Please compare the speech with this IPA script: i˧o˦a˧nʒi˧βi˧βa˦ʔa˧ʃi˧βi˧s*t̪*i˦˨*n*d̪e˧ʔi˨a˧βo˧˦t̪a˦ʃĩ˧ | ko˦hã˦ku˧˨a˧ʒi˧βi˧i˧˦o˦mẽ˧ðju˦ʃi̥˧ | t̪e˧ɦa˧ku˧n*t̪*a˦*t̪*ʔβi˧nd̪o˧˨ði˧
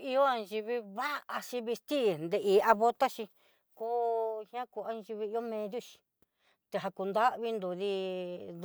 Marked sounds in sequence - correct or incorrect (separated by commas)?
correct, correct, incorrect, incorrect